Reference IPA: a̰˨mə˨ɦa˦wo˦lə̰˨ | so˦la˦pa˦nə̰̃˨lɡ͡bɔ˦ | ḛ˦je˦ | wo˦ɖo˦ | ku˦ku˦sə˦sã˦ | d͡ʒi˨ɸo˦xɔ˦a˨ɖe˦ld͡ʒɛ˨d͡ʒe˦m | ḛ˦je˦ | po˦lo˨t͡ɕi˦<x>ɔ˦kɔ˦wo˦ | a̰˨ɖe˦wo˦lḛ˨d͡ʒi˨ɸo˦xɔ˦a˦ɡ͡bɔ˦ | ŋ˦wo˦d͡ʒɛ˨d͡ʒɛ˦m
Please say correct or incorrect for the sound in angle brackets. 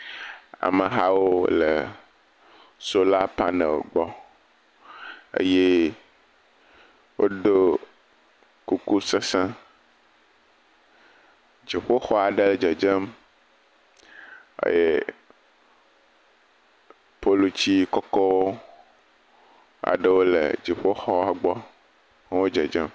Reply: incorrect: k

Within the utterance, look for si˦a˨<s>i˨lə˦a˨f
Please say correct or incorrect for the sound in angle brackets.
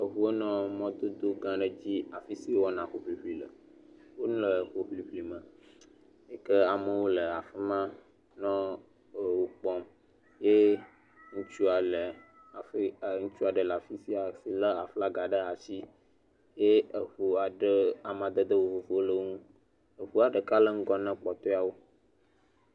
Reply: correct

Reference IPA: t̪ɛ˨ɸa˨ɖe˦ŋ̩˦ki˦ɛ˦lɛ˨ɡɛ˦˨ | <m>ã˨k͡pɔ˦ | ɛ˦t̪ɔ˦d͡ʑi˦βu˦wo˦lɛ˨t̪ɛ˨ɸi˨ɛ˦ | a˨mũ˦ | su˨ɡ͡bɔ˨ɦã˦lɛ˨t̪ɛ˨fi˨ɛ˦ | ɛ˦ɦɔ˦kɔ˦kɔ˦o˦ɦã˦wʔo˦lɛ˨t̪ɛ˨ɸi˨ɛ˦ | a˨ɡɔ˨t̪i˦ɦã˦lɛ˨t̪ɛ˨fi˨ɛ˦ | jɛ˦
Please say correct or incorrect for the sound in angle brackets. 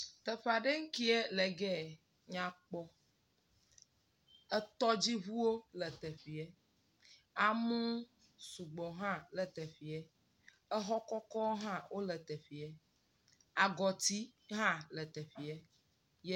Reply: incorrect: ɲ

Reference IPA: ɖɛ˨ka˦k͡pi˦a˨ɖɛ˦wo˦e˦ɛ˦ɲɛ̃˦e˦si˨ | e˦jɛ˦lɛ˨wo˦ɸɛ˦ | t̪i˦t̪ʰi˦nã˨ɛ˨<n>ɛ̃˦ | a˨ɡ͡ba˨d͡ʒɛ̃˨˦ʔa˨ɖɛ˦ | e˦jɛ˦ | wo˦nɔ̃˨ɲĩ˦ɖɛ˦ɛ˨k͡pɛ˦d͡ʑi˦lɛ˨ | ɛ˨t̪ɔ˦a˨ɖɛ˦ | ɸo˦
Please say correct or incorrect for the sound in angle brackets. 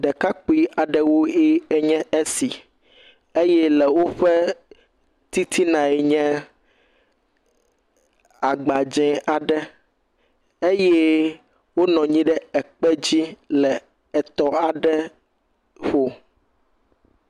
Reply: incorrect: ɲ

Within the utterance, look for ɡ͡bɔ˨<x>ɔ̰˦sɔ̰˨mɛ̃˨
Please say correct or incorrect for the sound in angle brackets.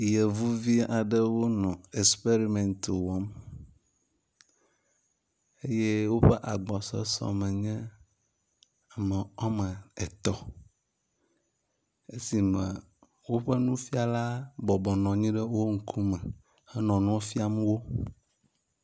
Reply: incorrect: s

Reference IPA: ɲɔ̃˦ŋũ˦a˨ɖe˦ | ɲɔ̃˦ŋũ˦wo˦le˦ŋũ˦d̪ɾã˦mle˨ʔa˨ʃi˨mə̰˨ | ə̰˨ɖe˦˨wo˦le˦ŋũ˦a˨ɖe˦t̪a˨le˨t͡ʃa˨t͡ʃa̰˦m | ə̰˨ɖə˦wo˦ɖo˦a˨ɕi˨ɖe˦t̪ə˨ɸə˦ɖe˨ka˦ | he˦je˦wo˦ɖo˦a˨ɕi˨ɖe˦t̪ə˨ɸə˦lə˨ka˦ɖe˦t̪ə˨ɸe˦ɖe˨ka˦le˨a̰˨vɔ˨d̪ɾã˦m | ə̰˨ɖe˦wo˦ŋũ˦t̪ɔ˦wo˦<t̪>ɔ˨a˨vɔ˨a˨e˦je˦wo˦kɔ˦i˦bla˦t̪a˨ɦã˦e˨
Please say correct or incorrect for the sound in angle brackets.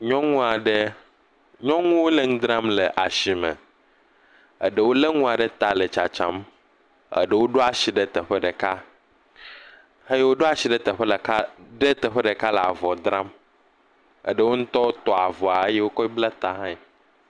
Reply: correct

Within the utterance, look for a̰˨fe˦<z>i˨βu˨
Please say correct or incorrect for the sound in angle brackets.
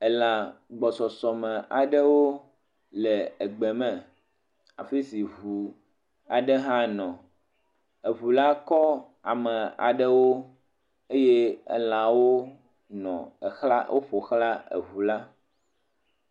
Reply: incorrect: s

